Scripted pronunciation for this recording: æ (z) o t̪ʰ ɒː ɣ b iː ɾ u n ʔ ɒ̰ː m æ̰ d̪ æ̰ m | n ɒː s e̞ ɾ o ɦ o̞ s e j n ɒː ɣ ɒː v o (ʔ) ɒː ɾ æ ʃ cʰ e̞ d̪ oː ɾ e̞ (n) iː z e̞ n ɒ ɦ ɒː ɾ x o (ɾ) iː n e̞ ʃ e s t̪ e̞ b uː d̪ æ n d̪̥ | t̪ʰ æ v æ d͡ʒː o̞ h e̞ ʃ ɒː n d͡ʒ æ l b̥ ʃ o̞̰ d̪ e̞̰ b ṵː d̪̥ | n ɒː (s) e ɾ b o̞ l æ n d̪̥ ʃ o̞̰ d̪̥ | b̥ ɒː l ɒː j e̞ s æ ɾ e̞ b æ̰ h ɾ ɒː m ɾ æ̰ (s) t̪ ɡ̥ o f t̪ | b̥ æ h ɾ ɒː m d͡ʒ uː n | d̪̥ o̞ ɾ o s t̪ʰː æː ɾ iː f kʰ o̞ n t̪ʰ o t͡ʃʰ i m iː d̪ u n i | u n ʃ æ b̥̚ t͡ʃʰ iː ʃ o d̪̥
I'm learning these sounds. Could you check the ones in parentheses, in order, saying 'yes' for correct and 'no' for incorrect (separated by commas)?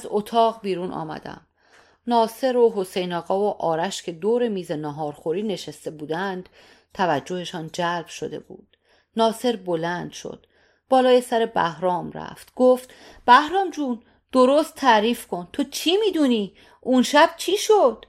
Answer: yes, yes, no, yes, yes, no